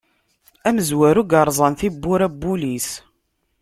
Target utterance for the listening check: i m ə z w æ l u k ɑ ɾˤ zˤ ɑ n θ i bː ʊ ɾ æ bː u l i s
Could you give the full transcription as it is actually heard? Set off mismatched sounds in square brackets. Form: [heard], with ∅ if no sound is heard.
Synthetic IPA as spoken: [æ] m ə z w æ [ɾ] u [ɡ] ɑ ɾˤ zˤ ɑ n θ i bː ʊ ɾ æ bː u l i s